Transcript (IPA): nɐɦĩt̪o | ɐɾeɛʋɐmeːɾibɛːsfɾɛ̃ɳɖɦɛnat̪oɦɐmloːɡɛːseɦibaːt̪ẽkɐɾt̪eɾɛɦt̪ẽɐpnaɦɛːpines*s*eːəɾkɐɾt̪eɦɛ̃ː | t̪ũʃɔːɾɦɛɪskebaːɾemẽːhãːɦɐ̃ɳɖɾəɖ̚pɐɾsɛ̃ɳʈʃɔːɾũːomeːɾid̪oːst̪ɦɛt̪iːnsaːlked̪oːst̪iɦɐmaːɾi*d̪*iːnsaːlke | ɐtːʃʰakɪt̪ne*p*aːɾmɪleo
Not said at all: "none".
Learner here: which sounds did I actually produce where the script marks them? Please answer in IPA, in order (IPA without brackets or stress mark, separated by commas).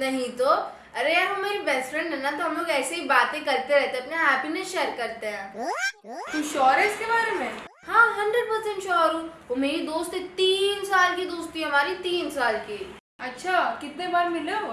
ʃ, t̪, b